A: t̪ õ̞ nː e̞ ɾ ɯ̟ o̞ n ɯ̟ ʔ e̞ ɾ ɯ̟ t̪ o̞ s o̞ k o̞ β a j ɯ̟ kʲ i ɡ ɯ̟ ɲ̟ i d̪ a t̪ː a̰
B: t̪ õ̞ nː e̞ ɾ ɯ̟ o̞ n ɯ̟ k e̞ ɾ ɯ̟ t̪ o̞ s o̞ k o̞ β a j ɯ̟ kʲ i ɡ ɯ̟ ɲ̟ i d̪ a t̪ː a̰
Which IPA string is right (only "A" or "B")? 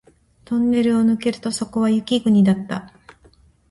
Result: B